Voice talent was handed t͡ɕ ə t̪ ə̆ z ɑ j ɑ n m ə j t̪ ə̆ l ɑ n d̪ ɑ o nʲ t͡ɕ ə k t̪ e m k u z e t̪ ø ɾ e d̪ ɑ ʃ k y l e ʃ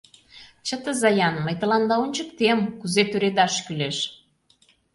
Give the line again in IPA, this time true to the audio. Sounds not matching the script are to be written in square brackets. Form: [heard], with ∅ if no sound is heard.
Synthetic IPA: t͡ɕ ə t̪ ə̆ z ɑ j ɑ n m ə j t̪ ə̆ l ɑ n d̪ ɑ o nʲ t͡ɕ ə k t̪ e m k u z e t̪ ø ɾ e d̪ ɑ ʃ k y l e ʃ